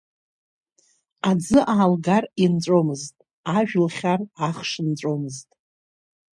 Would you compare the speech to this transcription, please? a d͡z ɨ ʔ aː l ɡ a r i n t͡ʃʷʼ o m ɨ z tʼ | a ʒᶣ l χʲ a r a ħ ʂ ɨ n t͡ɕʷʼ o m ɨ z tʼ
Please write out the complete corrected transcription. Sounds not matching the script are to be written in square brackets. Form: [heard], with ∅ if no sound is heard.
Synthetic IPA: a d͡z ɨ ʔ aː l ɡ a r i n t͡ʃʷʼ o m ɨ z tʼ | a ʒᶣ l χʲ a r a [χ] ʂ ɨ n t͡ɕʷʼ o m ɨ z tʼ